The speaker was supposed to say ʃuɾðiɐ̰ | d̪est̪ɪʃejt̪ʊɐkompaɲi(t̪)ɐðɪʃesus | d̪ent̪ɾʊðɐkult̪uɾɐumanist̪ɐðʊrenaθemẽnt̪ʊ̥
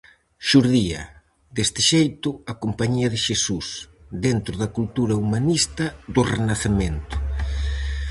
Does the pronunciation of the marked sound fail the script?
yes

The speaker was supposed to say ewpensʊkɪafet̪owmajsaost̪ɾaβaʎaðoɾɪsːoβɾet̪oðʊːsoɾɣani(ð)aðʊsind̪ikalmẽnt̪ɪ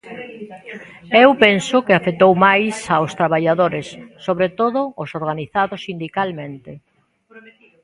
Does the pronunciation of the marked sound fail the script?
yes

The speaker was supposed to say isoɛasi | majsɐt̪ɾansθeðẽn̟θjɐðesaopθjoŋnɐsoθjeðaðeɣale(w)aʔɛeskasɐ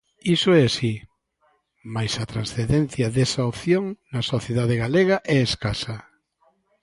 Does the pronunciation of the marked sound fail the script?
yes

